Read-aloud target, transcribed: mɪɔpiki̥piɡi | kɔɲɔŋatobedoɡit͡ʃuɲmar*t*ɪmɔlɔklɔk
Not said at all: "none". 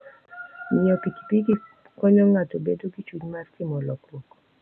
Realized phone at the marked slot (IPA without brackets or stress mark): k